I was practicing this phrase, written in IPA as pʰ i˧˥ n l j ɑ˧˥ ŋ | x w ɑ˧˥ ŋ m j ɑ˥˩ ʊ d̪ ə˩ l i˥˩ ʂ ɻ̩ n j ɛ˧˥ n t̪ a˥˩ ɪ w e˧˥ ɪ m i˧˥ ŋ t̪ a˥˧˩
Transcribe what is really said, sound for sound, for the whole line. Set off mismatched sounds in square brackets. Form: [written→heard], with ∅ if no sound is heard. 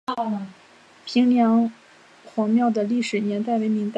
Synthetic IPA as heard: pʰ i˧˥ [n→ŋ] l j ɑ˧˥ ŋ | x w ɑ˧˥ ŋ m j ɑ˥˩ ʊ d̪ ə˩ l i˥˩ ʂ ɻ̩ n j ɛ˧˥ n t̪ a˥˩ ɪ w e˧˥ ɪ m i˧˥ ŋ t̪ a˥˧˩